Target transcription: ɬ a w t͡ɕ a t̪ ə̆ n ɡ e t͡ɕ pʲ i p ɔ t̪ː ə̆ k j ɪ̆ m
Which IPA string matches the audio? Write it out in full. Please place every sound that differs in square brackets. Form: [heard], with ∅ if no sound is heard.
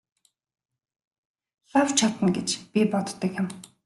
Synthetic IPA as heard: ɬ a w [t͡ɕʰ] a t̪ ə̆ n ɡ e t͡ɕ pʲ i p ɔ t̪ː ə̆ k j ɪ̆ m